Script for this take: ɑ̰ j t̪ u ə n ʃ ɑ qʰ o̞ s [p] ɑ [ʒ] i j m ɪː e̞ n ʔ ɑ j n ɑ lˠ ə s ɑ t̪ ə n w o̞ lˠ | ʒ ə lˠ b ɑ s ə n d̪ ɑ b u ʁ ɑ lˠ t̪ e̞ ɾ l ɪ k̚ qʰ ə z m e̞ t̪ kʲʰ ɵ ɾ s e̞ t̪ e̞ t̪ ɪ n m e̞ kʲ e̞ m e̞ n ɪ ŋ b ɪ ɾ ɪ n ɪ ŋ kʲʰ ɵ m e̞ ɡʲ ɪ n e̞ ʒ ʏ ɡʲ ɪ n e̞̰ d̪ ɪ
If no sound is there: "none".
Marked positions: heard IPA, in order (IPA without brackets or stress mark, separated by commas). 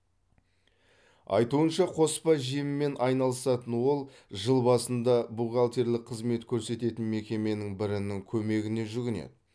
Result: p, ʒ